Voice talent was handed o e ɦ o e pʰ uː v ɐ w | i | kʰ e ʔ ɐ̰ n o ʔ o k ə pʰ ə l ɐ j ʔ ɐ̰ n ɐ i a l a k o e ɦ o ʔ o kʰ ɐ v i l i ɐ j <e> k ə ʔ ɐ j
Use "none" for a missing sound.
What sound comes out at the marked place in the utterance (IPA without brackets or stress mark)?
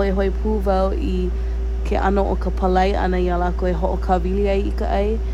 i